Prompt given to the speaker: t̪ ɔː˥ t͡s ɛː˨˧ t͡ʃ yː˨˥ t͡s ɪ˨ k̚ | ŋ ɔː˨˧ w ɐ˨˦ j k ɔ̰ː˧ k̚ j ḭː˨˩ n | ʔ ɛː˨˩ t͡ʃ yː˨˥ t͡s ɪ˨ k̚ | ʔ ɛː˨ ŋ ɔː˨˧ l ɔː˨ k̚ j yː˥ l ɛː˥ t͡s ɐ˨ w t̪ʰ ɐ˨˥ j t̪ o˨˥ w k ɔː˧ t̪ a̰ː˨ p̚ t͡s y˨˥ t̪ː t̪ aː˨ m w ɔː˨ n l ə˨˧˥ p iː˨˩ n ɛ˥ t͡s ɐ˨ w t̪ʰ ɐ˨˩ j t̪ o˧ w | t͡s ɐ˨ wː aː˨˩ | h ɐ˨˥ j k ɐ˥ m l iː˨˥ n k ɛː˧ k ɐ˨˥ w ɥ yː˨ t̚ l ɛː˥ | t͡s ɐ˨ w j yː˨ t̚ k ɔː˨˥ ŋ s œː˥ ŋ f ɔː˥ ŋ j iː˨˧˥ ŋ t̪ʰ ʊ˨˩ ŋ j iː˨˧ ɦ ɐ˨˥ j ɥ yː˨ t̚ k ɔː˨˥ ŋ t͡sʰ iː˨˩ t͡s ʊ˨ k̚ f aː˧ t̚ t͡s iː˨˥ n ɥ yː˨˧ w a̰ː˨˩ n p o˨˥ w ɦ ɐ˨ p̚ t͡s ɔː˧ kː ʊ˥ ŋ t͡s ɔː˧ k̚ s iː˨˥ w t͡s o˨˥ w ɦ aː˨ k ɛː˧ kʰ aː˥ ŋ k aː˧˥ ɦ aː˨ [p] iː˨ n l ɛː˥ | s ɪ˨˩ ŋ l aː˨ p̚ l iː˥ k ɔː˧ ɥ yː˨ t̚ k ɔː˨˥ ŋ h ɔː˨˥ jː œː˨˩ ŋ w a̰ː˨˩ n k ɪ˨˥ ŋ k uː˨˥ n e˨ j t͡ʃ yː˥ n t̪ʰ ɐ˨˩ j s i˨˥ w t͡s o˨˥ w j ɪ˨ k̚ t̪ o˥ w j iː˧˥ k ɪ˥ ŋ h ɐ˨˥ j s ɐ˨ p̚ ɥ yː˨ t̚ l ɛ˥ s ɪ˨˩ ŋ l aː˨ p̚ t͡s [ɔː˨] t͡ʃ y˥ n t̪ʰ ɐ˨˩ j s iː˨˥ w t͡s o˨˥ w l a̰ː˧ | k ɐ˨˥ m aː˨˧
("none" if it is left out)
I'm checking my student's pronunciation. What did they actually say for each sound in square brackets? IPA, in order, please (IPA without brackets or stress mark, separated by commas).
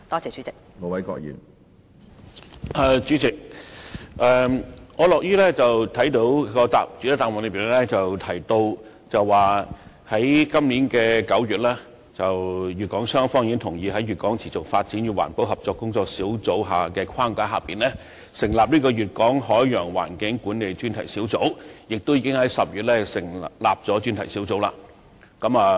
p, ɔː˨˥